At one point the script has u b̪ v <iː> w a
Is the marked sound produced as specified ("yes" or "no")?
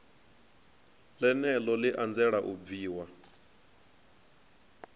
yes